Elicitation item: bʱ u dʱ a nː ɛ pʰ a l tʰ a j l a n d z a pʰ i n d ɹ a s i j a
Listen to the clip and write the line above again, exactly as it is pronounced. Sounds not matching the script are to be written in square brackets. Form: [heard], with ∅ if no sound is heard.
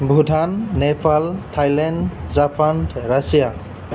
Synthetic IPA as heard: bʱ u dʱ a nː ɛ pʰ a l tʰ a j l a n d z a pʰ [a] n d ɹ a s i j a